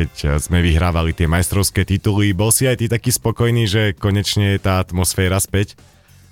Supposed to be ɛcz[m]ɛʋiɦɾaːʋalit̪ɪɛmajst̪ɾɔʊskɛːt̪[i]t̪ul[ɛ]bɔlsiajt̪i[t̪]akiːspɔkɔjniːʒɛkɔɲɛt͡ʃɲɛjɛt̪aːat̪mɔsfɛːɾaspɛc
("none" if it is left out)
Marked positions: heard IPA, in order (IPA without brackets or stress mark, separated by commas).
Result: m, i, i, t̪